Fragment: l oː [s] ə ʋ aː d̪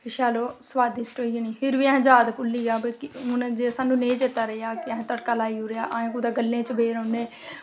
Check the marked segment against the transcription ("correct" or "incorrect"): correct